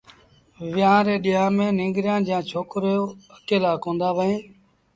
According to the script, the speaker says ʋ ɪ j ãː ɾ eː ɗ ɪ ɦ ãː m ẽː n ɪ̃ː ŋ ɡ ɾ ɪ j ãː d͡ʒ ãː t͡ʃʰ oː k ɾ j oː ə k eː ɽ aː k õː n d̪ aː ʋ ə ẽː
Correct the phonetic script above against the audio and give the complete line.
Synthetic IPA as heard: ʋ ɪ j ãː ɾ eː ɗ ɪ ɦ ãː m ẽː n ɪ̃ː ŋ ɡ ɾ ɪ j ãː d͡ʒ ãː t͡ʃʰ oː k ɾ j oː ə k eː l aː k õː n d̪ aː ʋ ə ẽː